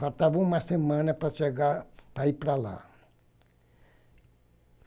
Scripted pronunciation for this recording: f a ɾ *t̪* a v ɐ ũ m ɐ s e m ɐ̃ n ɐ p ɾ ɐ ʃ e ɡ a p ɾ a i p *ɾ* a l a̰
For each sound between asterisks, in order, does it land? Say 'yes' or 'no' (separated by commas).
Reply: yes, yes